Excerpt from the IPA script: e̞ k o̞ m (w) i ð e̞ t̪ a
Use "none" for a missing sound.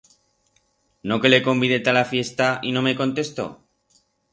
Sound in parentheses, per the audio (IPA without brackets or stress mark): b